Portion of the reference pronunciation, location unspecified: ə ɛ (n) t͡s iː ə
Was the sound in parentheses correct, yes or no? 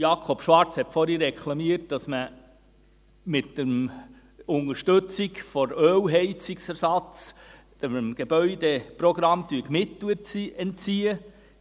yes